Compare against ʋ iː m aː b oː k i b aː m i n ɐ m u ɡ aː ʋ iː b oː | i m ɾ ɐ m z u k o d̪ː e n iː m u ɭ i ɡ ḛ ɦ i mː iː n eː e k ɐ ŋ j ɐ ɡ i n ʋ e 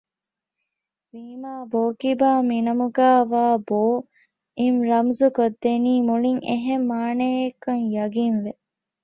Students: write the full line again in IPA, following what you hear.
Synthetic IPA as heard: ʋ iː m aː b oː k i b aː m i n ɐ m u ɡ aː ʋ aː b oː | i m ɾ ɐ m z u k o d̪ː e n iː m u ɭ i ŋ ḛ ɦ e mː aː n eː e k ɐ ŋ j ɐ ɡ i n ʋ e